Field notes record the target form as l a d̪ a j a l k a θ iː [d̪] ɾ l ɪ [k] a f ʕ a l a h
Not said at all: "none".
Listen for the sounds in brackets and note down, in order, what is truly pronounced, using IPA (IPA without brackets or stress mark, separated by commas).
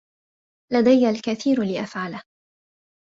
none, ʔ